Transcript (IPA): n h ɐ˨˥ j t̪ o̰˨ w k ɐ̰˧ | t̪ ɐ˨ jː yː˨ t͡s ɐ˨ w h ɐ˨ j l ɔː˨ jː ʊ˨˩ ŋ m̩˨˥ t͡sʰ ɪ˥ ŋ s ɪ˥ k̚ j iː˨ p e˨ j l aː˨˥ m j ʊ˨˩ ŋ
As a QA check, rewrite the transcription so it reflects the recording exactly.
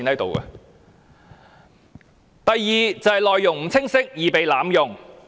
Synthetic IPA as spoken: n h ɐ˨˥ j t̪ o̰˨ w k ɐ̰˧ | t̪ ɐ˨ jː iː˨ t͡s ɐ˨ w h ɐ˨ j l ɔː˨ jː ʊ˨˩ ŋ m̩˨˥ t͡sʰ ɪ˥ ŋ s ɪ˥ k̚ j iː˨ p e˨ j l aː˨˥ m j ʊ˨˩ ŋ